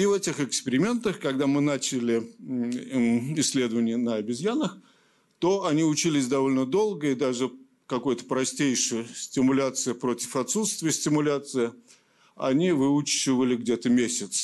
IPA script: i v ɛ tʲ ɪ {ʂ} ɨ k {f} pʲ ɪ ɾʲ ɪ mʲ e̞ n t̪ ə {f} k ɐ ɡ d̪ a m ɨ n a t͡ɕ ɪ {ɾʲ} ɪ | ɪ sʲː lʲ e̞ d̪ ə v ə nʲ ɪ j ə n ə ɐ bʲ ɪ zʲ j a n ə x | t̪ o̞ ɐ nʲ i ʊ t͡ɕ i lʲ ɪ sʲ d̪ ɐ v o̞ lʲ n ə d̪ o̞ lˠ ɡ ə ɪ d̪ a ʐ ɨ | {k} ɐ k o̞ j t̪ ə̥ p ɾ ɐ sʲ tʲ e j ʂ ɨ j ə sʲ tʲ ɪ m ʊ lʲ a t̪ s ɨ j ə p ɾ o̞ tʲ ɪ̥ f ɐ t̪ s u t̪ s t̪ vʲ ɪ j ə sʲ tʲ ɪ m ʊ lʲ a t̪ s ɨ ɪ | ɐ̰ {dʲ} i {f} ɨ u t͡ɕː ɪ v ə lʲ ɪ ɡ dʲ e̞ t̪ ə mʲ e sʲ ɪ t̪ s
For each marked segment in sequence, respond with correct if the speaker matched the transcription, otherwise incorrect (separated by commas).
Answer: incorrect, incorrect, incorrect, incorrect, correct, incorrect, incorrect